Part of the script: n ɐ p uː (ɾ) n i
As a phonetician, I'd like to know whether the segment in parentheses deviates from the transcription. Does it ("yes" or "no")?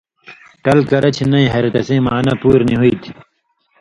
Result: no